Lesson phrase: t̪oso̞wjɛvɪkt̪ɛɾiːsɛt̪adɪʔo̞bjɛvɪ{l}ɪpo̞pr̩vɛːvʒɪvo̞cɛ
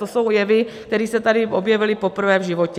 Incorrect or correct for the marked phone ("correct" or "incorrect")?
correct